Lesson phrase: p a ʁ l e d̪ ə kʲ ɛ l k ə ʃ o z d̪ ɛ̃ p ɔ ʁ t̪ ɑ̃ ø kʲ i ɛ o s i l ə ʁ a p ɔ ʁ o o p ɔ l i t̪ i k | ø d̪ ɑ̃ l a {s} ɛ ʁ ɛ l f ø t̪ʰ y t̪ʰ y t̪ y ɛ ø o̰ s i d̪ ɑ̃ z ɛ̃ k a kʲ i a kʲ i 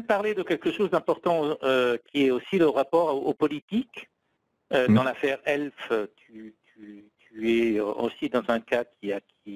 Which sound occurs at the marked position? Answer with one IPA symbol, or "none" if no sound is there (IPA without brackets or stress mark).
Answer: f